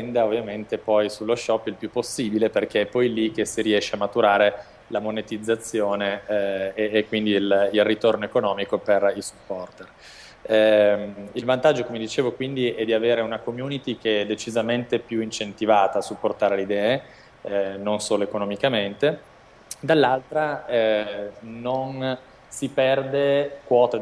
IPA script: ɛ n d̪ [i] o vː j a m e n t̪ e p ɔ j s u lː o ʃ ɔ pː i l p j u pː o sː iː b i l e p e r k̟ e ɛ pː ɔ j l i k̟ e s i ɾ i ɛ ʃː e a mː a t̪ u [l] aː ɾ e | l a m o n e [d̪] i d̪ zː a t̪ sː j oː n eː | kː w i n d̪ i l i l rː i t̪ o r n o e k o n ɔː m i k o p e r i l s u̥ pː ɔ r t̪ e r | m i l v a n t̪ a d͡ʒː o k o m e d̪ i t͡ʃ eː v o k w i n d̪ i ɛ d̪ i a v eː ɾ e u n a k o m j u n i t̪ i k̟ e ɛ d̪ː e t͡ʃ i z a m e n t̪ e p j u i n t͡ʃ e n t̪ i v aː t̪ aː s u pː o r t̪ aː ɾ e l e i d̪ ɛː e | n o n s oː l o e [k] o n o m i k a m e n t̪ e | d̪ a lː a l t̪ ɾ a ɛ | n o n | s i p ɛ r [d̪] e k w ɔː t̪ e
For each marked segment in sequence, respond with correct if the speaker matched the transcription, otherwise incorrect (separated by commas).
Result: incorrect, incorrect, incorrect, correct, correct